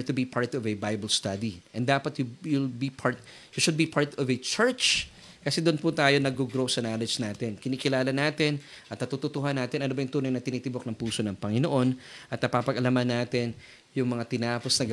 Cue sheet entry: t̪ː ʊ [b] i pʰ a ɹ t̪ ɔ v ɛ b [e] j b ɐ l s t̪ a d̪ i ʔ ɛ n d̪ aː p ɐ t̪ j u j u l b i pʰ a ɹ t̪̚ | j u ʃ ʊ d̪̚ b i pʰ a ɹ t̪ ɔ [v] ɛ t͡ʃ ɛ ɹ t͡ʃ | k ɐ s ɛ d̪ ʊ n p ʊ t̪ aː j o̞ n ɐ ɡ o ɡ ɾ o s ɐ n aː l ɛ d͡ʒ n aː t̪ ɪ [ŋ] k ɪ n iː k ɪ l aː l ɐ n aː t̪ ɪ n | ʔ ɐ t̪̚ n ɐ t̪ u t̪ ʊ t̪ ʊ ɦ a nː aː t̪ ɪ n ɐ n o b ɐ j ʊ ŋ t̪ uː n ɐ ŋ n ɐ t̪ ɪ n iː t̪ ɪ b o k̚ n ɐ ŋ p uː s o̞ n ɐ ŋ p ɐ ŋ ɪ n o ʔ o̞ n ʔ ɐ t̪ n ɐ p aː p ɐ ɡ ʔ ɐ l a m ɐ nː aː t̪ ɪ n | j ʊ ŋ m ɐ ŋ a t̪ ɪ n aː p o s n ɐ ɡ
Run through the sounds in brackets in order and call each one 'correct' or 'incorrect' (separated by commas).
correct, incorrect, correct, incorrect